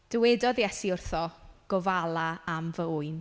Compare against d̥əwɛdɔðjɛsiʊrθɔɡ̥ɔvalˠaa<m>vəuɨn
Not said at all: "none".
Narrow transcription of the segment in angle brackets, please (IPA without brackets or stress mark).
m